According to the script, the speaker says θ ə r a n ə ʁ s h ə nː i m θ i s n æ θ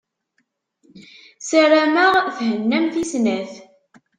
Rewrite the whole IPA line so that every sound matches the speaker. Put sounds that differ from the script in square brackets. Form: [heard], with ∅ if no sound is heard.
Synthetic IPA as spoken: [s] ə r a [m] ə ʁ [θ] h ə nː [æ] m θ i s n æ θ